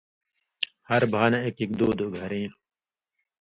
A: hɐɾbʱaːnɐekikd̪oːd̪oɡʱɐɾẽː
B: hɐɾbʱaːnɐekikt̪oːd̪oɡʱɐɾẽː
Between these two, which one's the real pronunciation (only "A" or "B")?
A